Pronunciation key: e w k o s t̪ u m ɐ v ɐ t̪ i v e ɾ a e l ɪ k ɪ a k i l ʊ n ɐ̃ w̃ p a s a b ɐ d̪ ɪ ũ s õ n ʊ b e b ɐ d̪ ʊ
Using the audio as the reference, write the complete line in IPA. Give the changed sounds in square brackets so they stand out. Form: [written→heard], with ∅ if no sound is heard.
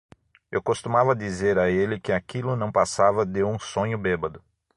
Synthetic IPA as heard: e w k o s t̪ u m [ɐ→a] v ɐ [t̪→d̪] i [v→z] e ɾ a e l ɪ k ɪ a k i l ʊ n ɐ̃ w̃ p a s a [b→v] ɐ d̪ ɪ ũ s õ [n→ɲ] ʊ b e b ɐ d̪ ʊ